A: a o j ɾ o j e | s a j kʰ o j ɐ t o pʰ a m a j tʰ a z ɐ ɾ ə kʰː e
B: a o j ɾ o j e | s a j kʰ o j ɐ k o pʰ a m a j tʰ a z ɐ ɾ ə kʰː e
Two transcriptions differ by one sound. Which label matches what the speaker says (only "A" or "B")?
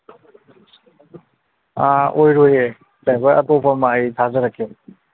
A